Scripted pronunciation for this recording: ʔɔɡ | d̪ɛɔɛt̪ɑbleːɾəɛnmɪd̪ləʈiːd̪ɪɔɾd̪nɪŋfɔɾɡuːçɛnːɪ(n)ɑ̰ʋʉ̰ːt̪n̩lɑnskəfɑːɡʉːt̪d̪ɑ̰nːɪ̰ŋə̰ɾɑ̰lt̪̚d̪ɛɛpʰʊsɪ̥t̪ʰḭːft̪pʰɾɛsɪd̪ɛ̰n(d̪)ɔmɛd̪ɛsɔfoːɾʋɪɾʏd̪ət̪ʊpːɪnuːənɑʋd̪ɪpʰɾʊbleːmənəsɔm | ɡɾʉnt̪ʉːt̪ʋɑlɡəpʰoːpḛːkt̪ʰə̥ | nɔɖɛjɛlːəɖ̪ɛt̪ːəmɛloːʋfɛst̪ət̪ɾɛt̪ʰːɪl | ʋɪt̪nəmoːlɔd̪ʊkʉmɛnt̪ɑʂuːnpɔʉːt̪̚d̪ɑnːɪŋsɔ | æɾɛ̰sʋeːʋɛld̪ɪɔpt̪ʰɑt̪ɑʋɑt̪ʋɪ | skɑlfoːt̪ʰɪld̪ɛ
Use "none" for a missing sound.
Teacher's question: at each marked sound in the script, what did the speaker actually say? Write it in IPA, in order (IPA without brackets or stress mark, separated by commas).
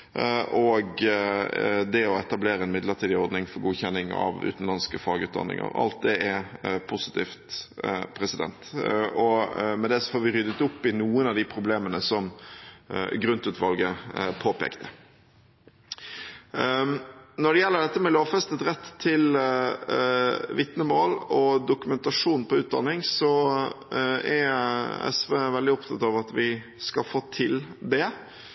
ŋ, t̪